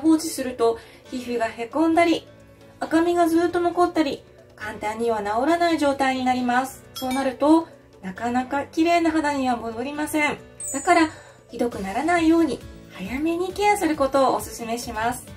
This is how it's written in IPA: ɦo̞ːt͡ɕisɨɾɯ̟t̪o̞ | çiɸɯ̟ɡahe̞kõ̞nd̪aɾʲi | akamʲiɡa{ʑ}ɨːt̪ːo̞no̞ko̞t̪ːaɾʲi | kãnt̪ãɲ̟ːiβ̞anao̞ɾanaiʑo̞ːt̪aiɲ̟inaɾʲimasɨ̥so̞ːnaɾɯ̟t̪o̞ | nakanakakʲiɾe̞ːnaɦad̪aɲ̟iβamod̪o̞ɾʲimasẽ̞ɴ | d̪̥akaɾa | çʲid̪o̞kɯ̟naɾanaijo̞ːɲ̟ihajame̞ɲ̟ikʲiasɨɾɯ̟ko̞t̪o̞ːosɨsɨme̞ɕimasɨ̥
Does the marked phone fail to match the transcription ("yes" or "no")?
yes